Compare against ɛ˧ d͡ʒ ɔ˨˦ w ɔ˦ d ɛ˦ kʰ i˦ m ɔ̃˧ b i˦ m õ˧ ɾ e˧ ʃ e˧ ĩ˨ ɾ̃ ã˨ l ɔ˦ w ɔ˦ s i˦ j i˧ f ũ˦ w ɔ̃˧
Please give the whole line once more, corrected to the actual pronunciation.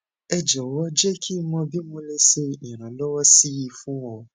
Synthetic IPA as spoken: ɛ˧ d͡ʒ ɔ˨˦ w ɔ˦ d͡ʒ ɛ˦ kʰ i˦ m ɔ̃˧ b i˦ m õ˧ l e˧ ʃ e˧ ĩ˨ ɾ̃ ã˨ l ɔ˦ w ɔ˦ s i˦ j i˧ f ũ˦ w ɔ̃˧

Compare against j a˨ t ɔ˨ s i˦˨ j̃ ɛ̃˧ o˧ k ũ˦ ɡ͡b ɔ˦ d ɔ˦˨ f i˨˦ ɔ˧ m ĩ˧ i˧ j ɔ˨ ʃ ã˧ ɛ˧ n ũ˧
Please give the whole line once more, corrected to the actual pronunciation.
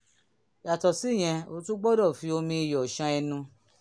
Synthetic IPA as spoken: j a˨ t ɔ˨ s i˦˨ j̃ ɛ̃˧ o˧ t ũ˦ ɡ͡b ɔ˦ d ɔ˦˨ f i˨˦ o˧ m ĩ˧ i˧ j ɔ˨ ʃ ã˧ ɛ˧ n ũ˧

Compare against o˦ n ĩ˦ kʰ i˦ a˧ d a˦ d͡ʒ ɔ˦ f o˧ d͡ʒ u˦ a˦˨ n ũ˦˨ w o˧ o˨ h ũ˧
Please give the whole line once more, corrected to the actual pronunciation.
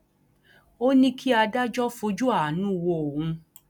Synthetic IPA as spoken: o˦ n ĩ˦ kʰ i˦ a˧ d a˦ d͡ʒ ɔ˦ f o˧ d͡ʒ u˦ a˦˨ n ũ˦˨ w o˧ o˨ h ũ˧

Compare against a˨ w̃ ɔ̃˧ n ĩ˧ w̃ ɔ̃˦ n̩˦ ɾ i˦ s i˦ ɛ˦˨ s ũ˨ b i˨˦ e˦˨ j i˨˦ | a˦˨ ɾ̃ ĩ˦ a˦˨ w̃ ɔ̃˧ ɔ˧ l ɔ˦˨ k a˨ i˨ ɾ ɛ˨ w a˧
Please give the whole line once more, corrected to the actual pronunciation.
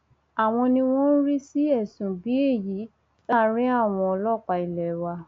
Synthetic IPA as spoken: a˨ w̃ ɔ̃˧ n ĩ˧ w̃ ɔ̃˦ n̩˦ ɾ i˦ s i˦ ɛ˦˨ s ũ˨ b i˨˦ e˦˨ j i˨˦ | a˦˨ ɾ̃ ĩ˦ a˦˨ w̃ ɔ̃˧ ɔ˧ l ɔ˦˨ k͡p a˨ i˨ l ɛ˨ w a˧

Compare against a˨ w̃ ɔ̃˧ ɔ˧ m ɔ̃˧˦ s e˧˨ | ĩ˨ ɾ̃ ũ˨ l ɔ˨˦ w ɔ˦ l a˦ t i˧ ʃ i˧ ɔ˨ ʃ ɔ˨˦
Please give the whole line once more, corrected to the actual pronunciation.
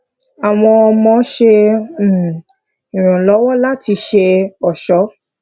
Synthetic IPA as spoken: a˨ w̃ ɔ̃˧ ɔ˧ m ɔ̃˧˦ ʃ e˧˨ | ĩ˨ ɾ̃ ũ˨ l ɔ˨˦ w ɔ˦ l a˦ t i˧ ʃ e˧ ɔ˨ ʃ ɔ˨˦

